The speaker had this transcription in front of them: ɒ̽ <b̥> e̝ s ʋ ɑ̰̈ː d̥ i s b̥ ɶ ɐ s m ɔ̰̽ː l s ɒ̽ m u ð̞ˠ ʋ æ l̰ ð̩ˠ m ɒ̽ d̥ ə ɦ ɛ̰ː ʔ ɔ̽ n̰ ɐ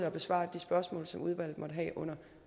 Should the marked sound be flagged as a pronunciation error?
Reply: no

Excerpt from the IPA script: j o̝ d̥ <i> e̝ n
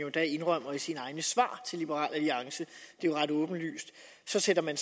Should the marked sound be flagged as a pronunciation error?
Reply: yes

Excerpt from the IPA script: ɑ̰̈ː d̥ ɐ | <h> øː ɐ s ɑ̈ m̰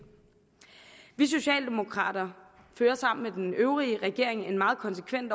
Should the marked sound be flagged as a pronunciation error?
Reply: yes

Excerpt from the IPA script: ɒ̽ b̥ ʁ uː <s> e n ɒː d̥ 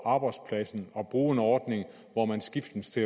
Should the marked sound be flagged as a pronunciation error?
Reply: yes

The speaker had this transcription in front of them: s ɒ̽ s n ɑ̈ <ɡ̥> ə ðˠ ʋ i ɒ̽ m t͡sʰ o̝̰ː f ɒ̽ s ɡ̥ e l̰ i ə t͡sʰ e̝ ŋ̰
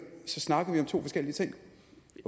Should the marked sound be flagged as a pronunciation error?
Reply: no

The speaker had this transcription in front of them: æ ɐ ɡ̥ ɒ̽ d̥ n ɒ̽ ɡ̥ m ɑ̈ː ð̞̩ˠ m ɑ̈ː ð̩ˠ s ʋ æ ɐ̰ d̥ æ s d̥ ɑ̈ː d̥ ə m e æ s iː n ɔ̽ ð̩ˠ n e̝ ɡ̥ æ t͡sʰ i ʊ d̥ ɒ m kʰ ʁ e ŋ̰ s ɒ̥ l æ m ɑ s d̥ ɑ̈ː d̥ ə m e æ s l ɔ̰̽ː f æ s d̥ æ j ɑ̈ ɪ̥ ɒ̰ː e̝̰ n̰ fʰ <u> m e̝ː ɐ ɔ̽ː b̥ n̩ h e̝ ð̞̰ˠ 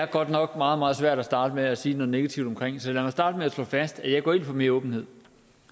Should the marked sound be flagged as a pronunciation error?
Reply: yes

